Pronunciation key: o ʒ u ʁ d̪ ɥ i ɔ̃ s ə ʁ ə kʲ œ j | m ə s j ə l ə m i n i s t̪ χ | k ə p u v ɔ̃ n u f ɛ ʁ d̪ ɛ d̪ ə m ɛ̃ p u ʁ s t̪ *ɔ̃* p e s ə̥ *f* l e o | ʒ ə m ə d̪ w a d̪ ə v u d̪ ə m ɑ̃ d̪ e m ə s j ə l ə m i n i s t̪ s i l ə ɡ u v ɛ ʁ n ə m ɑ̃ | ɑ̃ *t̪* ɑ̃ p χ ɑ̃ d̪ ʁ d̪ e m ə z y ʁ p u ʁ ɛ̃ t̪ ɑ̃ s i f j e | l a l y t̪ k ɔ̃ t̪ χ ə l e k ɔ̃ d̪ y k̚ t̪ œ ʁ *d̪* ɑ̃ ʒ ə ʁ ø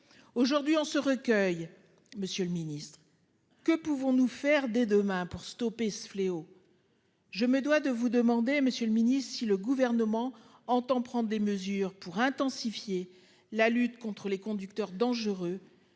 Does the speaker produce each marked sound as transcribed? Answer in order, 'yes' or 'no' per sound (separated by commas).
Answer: no, yes, yes, yes